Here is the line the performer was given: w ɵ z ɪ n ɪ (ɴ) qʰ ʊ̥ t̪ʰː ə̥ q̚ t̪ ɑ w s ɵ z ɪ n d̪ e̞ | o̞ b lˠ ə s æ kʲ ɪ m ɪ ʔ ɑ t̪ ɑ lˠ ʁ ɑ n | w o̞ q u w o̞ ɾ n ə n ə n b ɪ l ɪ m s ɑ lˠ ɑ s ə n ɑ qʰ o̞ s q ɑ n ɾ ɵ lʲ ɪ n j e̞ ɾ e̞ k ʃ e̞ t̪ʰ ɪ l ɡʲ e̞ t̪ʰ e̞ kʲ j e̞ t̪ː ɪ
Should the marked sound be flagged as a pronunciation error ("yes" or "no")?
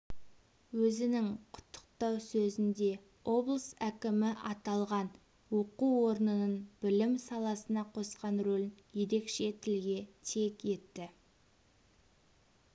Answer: yes